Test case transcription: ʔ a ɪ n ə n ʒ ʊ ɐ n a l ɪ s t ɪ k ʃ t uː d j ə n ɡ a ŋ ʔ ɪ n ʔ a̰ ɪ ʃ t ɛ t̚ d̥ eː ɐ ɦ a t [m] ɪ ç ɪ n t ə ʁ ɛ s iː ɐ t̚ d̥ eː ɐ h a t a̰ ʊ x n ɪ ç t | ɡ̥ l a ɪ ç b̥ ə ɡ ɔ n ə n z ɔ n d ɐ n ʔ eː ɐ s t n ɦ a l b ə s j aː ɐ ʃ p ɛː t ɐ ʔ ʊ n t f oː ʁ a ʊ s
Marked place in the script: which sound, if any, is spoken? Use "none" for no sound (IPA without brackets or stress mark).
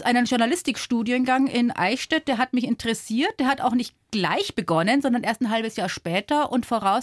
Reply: m